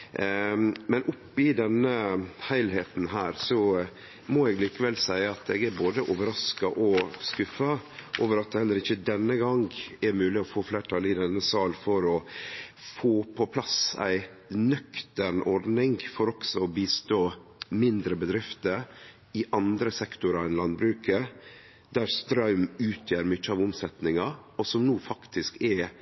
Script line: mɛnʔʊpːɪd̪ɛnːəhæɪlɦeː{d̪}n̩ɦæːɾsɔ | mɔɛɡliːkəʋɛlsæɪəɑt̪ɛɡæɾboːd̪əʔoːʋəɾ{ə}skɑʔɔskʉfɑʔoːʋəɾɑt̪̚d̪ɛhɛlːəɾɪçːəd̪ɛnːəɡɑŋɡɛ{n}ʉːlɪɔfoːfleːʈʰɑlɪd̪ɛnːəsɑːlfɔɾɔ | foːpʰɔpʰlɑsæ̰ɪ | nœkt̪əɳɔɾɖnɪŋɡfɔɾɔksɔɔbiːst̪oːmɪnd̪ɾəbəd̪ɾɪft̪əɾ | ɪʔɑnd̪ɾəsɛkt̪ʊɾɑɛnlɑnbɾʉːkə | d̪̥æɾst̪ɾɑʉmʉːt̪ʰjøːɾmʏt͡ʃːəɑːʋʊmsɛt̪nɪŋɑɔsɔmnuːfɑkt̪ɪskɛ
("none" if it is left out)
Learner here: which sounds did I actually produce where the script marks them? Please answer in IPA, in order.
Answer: t̪, ɑ, m

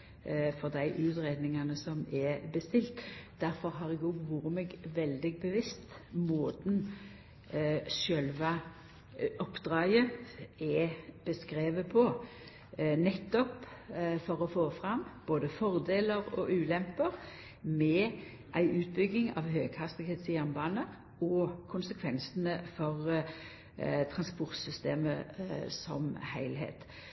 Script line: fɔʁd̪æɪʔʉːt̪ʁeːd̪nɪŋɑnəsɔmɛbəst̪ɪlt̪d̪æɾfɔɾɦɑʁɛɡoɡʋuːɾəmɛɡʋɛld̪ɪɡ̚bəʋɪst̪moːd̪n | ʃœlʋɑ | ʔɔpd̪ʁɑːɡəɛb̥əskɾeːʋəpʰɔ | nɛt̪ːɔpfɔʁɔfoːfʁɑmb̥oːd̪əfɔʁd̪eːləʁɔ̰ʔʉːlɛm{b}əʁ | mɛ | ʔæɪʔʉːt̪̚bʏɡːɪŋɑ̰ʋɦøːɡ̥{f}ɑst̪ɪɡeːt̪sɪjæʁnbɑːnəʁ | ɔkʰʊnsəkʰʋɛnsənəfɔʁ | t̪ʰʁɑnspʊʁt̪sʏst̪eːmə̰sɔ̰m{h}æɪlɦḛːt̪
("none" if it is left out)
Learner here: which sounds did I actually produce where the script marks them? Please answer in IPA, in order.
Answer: p, h, h

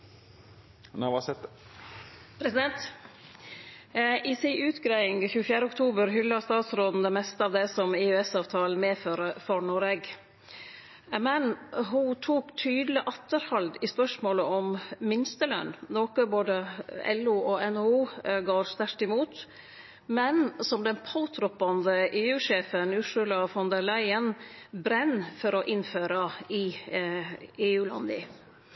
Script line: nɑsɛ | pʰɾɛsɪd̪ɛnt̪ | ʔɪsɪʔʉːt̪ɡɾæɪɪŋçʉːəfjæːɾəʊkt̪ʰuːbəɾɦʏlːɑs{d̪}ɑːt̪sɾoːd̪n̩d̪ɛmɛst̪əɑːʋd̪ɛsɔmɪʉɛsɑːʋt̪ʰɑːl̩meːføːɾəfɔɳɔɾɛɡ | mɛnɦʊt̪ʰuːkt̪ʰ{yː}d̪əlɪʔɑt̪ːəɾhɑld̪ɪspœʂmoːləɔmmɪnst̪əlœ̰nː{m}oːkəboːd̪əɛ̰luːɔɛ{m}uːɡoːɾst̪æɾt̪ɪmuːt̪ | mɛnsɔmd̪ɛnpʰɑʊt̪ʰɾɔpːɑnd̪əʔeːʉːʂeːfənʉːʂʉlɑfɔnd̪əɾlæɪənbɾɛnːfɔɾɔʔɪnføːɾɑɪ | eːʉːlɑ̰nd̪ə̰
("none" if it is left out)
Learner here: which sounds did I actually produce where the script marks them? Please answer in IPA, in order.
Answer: t̪, yː, n, n

